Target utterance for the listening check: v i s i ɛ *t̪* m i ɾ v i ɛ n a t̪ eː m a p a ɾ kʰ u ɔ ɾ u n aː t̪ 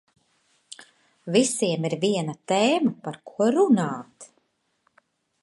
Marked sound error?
yes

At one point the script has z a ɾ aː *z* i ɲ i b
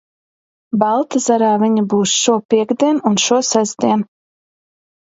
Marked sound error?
yes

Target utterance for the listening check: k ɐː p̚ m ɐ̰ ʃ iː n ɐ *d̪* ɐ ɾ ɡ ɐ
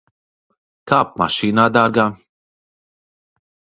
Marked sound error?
no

